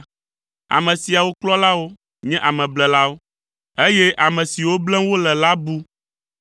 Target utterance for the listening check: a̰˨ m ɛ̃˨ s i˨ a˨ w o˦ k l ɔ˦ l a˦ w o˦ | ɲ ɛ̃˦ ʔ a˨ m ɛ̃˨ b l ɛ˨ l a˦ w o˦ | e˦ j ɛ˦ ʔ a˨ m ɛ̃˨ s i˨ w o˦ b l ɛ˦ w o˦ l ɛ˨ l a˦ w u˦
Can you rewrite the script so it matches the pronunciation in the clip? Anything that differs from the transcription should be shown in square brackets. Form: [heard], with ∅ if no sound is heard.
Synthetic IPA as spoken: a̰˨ m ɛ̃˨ s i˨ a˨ w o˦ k l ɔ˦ l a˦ w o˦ | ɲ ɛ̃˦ ʔ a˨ m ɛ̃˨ b l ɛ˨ l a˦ w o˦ | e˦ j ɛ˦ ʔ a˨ m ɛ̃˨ s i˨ w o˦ b l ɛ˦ w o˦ l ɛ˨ l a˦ [b] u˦